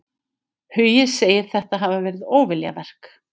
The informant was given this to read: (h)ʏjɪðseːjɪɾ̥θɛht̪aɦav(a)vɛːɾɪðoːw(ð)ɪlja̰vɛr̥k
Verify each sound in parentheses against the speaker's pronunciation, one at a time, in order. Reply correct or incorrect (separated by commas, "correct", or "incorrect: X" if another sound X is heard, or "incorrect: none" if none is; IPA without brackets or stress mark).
correct, correct, incorrect: v